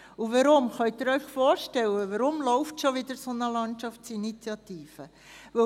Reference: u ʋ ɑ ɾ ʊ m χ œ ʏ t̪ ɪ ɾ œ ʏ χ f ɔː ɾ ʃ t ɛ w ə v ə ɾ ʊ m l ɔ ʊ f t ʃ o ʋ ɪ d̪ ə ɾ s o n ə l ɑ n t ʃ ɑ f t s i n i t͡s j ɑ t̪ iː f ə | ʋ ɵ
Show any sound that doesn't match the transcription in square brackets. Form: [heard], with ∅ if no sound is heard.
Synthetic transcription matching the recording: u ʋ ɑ ɾ ʊ m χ œ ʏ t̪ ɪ ɾ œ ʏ χ f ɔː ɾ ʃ t ɛ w ə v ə ɾ ʊ m l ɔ ʊ f t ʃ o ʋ ɪ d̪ ə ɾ s o n ə l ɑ n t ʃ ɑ f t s i n i t͡s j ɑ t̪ iː f ə | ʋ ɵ